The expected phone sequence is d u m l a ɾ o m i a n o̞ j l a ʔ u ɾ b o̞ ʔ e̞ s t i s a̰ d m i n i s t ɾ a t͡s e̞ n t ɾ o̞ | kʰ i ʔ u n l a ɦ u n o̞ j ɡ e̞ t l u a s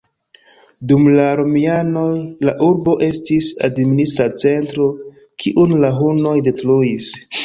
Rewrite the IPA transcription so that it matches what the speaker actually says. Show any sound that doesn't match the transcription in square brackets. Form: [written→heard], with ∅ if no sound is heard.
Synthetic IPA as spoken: d u m l a ɾ o m i a n o̞ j l a ʔ u ɾ b o̞ ʔ e̞ s t i s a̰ d m i n i s t ɾ a t͡s e̞ n t ɾ o̞ | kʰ i ʔ u n l a ɦ u n o̞ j [ɡ→d] e̞ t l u [a→i] s